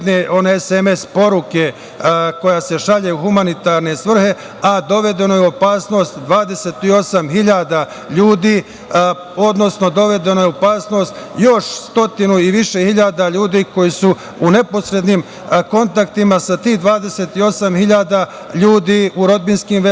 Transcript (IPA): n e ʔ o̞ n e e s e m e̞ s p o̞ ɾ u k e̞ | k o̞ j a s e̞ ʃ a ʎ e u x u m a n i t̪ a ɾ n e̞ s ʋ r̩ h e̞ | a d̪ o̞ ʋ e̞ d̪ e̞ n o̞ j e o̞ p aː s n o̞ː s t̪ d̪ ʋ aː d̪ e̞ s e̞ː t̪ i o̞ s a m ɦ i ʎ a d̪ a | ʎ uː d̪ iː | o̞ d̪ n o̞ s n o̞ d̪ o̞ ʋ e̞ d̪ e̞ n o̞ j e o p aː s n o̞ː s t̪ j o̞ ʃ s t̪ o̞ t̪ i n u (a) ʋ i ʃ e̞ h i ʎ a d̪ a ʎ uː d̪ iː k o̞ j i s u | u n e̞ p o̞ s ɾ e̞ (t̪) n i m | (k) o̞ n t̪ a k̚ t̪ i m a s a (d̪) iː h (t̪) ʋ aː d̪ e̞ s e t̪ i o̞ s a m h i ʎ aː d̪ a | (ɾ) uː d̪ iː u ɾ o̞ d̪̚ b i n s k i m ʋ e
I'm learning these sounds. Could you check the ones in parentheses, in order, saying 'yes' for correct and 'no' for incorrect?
no, no, yes, no, no, no

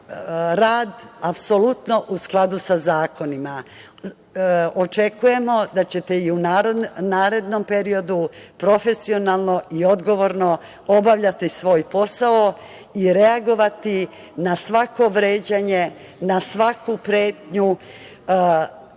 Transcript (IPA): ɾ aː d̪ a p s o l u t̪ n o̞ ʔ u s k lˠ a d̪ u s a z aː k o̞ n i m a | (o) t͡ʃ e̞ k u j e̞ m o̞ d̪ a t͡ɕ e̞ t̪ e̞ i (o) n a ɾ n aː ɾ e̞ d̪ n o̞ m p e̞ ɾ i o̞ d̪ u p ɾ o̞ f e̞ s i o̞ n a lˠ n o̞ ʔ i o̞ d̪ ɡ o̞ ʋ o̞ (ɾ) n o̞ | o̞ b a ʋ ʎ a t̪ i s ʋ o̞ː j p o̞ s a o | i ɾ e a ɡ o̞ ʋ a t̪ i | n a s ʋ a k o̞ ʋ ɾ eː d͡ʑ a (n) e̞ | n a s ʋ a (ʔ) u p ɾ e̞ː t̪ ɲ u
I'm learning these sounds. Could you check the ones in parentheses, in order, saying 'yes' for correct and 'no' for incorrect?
yes, no, yes, no, no

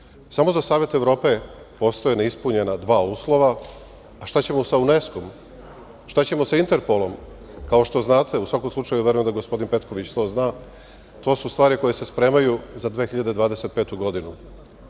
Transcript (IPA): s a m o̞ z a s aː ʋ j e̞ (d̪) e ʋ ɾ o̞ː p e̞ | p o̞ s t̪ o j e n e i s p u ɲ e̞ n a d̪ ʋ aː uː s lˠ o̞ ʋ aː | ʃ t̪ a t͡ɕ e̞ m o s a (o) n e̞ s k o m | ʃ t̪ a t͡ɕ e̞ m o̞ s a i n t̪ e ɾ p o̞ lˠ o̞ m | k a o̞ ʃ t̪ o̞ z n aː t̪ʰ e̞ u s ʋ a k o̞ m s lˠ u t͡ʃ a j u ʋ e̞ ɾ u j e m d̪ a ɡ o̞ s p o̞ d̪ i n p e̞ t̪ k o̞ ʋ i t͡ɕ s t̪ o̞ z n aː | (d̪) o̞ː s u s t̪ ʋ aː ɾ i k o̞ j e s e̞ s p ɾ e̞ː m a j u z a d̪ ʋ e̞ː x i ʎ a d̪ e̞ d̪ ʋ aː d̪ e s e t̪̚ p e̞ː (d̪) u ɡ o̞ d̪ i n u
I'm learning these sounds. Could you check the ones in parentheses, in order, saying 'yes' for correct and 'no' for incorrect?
no, no, no, no

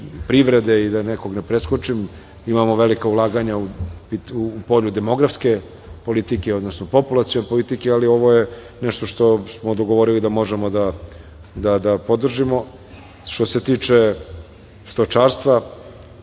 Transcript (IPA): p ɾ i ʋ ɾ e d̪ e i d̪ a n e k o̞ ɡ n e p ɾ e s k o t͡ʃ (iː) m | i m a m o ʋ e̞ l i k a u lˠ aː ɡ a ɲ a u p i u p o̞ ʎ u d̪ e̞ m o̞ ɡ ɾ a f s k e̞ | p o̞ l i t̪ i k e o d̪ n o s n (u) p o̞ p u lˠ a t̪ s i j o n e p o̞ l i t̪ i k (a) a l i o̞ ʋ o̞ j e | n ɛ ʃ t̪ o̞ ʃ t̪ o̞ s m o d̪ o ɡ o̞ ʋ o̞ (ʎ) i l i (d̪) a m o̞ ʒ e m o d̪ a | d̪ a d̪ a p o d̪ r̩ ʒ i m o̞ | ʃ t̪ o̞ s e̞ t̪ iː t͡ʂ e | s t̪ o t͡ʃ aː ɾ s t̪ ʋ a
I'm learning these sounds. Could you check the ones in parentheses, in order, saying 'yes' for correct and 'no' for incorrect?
no, no, no, no, yes

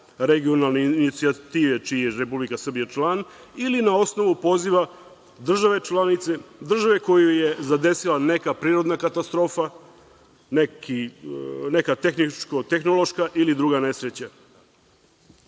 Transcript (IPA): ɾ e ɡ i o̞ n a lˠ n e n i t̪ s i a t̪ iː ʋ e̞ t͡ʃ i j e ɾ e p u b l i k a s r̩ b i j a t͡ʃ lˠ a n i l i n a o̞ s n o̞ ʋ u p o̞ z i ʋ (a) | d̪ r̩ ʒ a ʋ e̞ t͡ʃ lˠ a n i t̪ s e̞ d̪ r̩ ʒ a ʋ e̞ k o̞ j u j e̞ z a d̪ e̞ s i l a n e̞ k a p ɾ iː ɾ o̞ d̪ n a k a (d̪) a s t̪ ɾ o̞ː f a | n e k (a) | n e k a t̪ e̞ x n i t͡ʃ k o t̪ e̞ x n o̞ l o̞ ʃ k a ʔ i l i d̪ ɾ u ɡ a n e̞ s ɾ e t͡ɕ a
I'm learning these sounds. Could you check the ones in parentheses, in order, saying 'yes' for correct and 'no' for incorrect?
yes, no, no

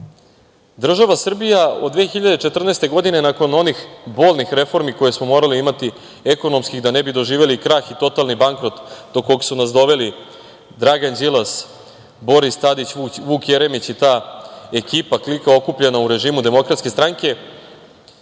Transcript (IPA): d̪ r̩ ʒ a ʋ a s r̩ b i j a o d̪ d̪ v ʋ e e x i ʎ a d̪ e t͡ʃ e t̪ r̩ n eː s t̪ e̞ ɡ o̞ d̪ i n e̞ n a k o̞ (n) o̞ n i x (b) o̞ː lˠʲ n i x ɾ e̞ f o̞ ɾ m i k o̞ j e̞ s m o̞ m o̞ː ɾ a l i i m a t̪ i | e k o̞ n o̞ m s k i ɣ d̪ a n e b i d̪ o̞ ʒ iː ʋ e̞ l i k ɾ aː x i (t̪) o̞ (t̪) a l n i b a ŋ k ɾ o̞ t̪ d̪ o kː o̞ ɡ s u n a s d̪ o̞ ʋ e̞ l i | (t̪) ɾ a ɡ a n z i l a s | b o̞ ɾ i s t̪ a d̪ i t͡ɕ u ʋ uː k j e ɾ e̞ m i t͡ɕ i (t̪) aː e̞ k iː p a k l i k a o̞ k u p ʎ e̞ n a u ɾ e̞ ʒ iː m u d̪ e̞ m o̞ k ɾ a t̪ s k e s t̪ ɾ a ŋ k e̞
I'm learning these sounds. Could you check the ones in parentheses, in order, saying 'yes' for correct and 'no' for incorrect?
yes, yes, yes, yes, no, yes

